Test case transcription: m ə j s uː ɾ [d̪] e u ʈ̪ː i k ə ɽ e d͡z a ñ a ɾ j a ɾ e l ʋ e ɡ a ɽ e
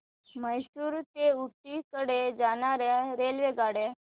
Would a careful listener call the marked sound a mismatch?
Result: yes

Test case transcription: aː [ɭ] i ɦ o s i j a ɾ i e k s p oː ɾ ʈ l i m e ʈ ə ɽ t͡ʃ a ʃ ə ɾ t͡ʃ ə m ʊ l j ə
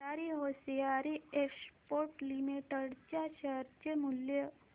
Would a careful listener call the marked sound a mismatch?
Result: yes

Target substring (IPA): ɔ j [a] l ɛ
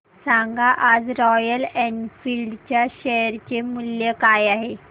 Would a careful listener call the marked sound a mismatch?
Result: yes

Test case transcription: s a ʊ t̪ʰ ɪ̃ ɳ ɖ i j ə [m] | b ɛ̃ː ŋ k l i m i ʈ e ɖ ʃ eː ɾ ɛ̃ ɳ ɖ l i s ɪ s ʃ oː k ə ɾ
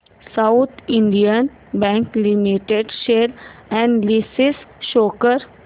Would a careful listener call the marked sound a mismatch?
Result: yes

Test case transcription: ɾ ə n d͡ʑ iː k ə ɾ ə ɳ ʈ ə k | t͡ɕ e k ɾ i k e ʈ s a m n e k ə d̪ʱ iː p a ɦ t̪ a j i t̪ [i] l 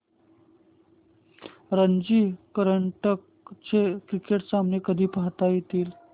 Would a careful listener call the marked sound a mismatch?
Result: yes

